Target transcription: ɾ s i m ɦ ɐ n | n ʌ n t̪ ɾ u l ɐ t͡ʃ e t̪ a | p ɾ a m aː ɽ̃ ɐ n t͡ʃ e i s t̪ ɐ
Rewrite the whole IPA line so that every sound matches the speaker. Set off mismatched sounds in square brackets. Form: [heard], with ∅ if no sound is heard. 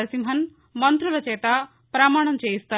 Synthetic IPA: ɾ s i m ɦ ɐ n | [m] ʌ n t̪ ɾ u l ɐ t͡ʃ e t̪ a | p ɾ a m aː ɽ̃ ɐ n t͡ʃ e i s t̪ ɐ